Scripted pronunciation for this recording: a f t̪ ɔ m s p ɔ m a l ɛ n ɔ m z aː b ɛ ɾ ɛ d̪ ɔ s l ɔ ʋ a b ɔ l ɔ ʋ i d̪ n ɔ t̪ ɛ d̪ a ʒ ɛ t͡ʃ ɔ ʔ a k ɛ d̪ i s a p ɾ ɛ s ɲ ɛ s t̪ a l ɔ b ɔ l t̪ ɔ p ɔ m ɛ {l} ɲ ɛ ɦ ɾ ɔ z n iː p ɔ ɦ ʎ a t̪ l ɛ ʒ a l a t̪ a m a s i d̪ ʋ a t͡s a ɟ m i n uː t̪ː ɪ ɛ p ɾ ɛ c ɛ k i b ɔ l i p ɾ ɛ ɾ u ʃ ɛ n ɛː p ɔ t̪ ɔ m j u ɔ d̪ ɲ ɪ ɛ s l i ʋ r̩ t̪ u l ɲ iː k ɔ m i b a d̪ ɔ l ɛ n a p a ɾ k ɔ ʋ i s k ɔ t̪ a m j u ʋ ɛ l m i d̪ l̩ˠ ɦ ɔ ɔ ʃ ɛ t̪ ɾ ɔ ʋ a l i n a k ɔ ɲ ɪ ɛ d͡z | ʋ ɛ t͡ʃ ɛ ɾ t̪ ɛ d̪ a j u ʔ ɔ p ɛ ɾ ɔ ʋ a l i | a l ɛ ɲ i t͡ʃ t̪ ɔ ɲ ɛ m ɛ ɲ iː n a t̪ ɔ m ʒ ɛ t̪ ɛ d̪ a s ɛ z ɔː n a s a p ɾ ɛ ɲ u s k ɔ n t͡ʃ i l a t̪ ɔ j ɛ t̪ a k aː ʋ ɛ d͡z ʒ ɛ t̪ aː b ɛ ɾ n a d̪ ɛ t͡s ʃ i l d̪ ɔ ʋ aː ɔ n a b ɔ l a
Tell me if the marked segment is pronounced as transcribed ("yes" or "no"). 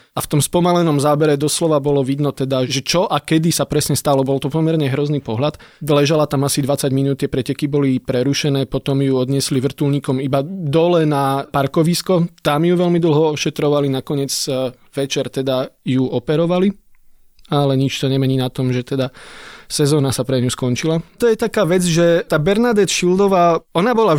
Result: no